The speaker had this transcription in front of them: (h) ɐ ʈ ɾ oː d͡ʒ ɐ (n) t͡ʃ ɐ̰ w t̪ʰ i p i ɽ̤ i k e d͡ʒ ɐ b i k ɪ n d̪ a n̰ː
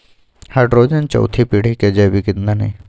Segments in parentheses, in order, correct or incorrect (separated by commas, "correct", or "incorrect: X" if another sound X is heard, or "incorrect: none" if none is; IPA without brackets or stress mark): correct, correct